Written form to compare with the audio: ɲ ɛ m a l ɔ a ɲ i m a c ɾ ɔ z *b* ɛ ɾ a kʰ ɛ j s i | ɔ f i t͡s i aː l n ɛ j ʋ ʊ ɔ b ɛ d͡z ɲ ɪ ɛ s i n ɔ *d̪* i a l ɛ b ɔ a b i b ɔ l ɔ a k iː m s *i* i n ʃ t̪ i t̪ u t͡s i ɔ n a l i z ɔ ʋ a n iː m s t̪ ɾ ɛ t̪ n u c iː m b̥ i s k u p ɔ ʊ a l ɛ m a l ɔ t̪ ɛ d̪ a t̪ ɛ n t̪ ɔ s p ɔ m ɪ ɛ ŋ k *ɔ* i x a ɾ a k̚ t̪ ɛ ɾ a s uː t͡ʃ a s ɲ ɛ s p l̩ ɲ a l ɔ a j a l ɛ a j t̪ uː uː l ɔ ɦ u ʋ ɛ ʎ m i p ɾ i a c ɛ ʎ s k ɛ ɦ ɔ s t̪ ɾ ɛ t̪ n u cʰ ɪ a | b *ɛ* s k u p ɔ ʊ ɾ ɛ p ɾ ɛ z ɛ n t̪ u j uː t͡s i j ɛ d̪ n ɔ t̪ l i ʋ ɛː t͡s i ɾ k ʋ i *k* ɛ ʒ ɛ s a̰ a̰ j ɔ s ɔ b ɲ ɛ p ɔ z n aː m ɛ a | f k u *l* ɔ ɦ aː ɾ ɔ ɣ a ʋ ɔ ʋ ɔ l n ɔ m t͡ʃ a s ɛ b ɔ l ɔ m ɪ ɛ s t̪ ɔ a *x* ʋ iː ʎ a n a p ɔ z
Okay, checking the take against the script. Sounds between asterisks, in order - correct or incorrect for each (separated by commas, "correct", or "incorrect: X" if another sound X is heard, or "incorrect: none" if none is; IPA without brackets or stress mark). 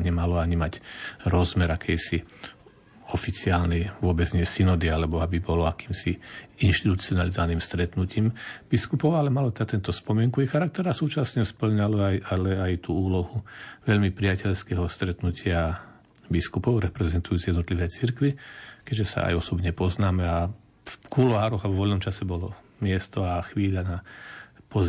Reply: incorrect: m, correct, correct, incorrect: u, incorrect: i, correct, correct, correct